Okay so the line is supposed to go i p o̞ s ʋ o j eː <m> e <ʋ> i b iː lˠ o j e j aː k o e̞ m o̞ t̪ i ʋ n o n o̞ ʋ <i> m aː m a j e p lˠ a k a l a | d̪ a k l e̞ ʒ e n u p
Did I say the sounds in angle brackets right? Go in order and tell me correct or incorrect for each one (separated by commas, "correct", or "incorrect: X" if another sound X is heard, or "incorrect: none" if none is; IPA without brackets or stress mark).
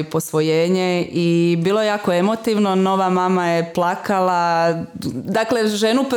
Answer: incorrect: ɲ, incorrect: none, incorrect: a